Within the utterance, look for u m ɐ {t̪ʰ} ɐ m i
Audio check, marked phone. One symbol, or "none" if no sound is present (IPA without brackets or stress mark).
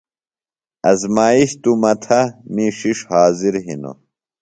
t̪ʰ